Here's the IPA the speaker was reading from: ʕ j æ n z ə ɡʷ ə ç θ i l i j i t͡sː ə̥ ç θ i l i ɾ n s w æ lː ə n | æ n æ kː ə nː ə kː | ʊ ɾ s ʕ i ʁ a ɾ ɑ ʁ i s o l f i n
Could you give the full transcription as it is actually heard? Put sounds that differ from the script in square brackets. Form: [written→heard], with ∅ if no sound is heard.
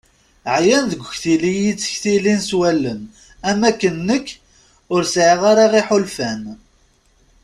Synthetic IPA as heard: ʕ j æ n [z→ð] ə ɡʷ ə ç θ i l i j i t͡sː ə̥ ç θ i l i [ɾ→∅] n s w æ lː ə n | æ [n→m] æ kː ə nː ə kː | ʊ ɾ s ʕ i ʁ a ɾ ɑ ʁ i [s→ħ] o l f [i→æ] n

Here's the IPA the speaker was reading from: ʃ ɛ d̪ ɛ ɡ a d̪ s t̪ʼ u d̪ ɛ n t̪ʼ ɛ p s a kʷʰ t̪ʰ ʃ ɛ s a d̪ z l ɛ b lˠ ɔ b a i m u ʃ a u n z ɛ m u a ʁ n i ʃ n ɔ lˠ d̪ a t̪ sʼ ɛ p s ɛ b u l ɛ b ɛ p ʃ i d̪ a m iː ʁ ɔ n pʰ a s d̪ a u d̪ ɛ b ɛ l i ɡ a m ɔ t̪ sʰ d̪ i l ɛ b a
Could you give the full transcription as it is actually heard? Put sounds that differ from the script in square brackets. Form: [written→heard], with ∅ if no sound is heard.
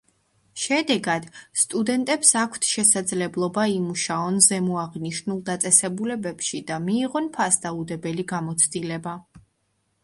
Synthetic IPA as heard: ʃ ɛ d̪ ɛ ɡ a d̪ s t̪ʼ u d̪ ɛ n t̪ʼ ɛ p s a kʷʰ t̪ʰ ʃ ɛ s a d̪ z l ɛ b lˠ ɔ b a i m u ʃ a [u→ɔ] n z ɛ m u a ʁ n i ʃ n [ɔ→u] lˠ d̪ a t̪ sʼ ɛ [p→∅] s ɛ b u l ɛ b ɛ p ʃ i d̪ a m iː ʁ ɔ n pʰ a s d̪ a u d̪ ɛ b ɛ l i ɡ a m ɔ t̪ sʰ d̪ i l ɛ b a

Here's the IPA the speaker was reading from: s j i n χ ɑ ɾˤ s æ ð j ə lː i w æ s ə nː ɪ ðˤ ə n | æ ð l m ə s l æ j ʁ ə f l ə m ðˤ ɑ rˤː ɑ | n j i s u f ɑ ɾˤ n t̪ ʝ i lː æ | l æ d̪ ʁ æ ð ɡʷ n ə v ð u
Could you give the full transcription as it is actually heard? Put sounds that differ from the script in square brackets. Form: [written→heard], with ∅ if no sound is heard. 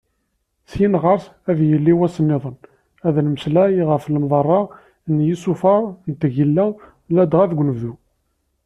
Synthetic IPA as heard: s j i n [χ→ʁ] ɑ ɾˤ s æ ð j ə lː i w æ s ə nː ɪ ðˤ ə n | æ ð l m ə s l æ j ʁ ə f l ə m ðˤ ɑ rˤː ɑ | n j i s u f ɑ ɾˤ n t̪ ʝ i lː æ | l æ d̪ ʁ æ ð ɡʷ n ə v ð u

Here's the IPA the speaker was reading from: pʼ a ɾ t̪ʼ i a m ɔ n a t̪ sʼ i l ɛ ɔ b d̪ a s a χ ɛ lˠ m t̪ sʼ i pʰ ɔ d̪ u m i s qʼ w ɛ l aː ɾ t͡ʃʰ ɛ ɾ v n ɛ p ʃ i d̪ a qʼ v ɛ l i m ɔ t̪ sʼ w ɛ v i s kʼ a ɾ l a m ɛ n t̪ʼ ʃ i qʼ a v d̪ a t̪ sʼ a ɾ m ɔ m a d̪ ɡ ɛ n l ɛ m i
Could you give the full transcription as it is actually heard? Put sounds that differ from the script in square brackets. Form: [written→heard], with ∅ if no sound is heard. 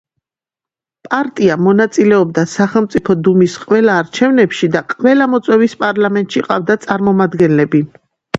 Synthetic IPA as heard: pʼ a ɾ t̪ʼ i a m ɔ n a t̪ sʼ i l ɛ ɔ b d̪ a s a χ ɛ lˠ m t̪ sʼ i pʰ ɔ d̪ u m i s qʼ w ɛ l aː ɾ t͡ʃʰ ɛ [ɾ→∅] v n ɛ p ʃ i d̪ a qʼ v ɛ l [i→a] m ɔ t̪ sʼ w ɛ v i s [kʼ→pʼ] a ɾ l a m ɛ n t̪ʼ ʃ i qʼ a v d̪ a t̪ sʼ a ɾ m ɔ m a d̪ ɡ ɛ n l ɛ [m→b] i

